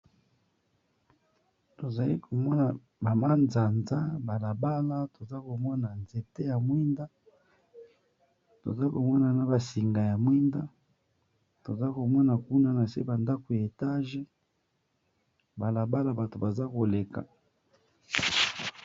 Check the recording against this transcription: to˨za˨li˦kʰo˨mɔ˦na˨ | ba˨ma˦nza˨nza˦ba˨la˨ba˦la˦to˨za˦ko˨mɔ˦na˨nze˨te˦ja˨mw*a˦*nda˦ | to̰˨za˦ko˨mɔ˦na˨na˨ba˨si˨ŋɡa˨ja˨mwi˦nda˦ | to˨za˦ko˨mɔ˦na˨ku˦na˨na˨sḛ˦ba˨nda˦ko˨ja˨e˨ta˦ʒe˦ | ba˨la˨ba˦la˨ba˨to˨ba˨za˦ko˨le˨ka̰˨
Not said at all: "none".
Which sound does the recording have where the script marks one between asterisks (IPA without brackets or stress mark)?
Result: i˦